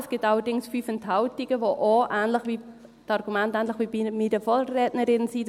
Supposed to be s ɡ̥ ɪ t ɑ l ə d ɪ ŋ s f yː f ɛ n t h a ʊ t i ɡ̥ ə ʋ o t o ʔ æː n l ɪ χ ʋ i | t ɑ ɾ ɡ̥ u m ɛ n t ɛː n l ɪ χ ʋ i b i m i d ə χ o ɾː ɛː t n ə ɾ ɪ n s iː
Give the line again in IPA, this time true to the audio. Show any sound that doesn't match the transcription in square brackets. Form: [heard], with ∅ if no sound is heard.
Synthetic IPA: s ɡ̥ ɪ t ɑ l ə d ɪ ŋ s f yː f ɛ n t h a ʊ t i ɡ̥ ə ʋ o [ʔ] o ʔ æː n l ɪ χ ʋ i | t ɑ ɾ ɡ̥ u m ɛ n t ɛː n l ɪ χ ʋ i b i m i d ə [f] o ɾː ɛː t n ə ɾ ɪ n s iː